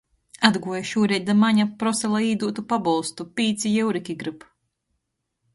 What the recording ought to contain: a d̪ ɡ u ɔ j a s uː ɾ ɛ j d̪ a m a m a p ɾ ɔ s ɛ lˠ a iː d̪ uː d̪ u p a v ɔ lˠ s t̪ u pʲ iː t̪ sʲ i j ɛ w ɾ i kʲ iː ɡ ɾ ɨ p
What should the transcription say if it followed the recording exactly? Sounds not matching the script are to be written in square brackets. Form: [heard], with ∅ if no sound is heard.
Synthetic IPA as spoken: a d̪ ɡ u ɔ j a [ʃ] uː ɾ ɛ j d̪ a m a [ɲ] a p ɾ ɔ s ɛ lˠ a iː d̪ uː [t̪] u p a [b] ɔ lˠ s t̪ u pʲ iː t̪ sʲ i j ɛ w ɾ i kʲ [i] ɡ ɾ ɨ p